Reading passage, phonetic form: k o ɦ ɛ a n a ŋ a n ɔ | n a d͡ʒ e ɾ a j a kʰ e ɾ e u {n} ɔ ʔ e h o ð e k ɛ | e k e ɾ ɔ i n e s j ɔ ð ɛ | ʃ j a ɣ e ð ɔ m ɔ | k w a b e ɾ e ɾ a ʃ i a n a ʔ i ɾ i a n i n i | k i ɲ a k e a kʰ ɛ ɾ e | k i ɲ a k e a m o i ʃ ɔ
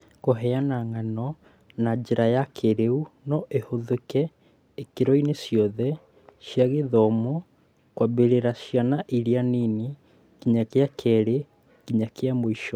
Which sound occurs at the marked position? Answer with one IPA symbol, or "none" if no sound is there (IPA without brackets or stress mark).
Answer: n